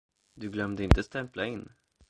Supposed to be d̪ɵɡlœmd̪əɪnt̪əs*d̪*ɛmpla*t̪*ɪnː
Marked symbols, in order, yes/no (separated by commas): no, no